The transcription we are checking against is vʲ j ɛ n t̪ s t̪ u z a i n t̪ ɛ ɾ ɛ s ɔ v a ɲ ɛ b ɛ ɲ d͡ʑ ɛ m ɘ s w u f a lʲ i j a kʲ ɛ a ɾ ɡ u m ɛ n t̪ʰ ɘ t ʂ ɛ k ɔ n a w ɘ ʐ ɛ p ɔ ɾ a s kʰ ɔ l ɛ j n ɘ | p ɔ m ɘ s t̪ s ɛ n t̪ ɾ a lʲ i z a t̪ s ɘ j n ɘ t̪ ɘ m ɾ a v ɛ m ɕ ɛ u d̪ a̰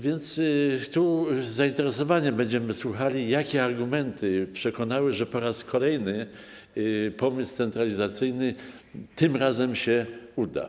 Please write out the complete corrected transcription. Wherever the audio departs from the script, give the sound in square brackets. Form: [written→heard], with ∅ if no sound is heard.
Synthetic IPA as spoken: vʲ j ɛ n t̪ s t̪ u z a i n t̪ ɛ ɾ ɛ s ɔ v a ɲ ɛ b ɛ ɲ d͡ʑ ɛ m ɘ s w u [f→x] a lʲ i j a kʲ ɛ a ɾ ɡ u m ɛ n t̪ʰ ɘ [t→p] ʂ ɛ k ɔ n a w ɘ ʐ ɛ p ɔ ɾ a s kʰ ɔ l ɛ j n ɘ | p ɔ m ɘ s t̪ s ɛ n t̪ ɾ a lʲ i z a t̪ s ɘ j n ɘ t̪ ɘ m ɾ a [v→z] ɛ m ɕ ɛ u d̪ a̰